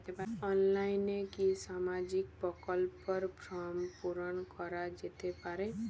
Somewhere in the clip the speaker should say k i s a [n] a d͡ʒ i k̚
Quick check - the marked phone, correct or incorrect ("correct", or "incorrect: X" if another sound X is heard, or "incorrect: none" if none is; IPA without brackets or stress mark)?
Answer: incorrect: m